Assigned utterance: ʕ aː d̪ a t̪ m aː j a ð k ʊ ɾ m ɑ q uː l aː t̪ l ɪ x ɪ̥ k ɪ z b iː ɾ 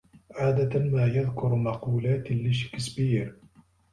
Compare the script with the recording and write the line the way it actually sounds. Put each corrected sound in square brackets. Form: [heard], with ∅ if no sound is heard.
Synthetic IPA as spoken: ʕ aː d̪ a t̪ m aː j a ð k ʊ ɾ m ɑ q uː l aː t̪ l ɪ [ʃ] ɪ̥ k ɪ [s] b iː ɾ